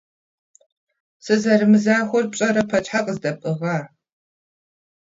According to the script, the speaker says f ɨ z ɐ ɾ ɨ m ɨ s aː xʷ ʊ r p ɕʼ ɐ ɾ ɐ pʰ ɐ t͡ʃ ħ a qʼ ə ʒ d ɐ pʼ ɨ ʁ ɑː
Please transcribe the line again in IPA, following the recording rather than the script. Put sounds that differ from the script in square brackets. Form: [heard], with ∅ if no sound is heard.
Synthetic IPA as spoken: [s] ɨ z ɐ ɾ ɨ m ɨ [z] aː xʷ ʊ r p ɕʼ ɐ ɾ ɐ pʰ ɐ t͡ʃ ħ a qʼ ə [z] d ɐ pʼ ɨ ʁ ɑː